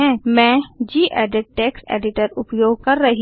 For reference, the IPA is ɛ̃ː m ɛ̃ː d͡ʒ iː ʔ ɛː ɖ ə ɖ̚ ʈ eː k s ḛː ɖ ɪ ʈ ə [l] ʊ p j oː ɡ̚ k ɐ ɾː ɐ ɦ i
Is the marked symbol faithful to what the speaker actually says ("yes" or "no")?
no